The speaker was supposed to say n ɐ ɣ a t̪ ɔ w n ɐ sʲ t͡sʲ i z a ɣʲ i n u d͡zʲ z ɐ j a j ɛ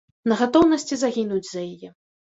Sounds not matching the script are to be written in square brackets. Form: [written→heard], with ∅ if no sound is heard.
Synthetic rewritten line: n ɐ ɣ a t̪ ɔ w n ɐ sʲ t͡sʲ i z a ɣʲ i n u d͡zʲ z ɐ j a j ɛ

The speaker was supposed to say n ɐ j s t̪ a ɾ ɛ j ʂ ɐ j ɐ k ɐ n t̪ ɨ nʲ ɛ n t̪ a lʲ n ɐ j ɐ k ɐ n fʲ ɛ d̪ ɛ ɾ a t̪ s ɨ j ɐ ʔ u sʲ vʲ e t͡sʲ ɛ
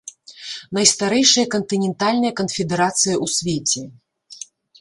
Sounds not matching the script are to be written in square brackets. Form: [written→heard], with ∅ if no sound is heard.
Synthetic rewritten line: n ɐ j s t̪ a ɾ ɛ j ʂ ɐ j ɐ k ɐ n t̪ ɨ nʲ ɛ n t̪ a lʲ n ɐ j ɐ k ɐ n fʲ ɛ d̪ ɛ ɾ a t̪ s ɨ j ɐ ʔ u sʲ vʲ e t͡sʲ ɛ

